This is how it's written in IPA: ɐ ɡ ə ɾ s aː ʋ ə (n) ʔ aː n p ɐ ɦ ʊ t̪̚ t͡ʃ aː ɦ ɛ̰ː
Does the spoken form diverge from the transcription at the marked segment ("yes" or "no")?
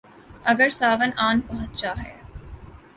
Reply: no